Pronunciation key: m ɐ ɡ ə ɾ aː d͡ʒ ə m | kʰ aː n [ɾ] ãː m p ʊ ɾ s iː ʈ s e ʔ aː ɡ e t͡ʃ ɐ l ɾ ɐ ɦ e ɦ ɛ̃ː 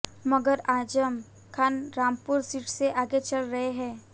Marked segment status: correct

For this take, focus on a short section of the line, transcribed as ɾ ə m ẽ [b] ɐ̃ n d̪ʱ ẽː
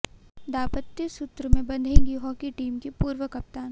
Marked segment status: correct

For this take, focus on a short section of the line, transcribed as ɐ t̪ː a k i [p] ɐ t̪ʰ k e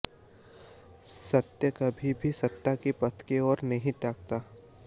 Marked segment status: correct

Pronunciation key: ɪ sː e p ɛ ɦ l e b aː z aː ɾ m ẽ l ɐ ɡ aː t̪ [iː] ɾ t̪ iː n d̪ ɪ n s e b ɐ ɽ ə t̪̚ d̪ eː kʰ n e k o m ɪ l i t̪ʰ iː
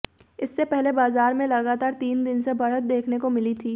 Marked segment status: incorrect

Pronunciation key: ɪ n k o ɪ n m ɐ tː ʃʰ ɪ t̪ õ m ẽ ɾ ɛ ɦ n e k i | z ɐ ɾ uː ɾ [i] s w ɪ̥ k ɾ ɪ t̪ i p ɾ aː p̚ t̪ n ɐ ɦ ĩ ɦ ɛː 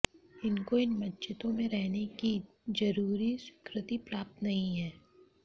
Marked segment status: correct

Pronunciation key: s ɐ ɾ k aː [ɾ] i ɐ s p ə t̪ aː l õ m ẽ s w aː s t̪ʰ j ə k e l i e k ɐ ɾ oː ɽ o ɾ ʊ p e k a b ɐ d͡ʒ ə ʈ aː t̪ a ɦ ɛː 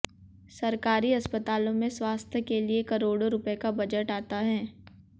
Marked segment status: correct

